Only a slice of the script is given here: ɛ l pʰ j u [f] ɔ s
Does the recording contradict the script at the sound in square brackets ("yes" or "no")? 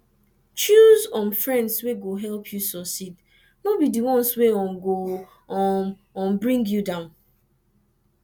yes